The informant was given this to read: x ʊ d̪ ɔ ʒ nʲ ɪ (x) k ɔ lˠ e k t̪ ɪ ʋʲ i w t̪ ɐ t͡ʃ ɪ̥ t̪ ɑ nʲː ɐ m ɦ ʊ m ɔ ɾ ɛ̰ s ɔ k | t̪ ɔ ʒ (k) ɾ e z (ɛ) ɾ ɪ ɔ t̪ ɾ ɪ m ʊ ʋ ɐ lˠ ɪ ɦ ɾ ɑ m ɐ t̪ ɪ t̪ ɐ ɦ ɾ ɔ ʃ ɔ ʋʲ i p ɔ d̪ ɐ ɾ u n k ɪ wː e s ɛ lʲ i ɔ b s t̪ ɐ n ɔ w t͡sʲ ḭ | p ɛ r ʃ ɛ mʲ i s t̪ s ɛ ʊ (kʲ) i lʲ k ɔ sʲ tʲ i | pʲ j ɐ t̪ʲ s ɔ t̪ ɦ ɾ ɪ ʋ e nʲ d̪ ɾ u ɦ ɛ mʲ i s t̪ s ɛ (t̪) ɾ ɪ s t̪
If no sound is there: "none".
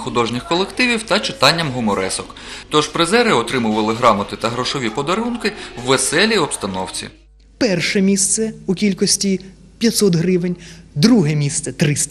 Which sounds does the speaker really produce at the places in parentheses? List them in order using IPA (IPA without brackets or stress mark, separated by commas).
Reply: x, p, ɛ, kʲ, t̪